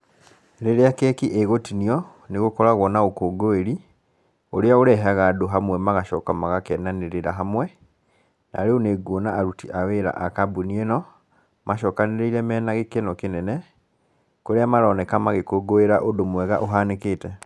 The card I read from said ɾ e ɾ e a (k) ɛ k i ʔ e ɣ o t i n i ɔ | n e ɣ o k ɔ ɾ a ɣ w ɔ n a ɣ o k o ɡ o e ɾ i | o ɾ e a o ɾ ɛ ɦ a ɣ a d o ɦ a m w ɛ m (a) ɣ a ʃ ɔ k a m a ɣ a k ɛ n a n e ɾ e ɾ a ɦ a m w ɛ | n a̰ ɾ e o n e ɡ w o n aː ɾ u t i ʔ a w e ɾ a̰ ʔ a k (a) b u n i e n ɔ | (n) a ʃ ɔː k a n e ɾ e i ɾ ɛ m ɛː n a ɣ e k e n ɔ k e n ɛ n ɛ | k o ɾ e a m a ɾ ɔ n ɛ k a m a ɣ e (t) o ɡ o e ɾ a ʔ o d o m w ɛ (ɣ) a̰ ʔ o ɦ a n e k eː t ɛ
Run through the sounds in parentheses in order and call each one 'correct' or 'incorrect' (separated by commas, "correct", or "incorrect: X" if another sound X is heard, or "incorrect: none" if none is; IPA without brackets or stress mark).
correct, correct, correct, incorrect: m, incorrect: k, correct